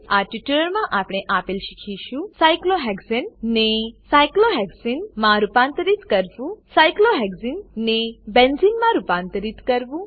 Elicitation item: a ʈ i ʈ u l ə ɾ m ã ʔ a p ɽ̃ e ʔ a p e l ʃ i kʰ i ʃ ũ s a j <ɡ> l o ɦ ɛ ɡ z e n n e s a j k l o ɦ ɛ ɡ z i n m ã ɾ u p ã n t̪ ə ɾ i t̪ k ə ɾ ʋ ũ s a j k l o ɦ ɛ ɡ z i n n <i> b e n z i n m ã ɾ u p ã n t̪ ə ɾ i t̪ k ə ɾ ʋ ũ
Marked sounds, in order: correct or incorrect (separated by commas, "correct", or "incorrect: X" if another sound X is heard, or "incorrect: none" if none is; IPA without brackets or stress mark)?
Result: incorrect: k, incorrect: e